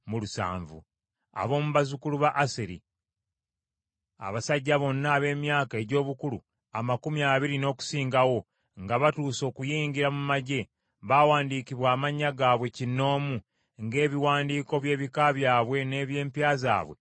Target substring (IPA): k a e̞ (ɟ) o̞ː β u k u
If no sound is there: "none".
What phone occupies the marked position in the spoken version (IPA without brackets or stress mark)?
ɟ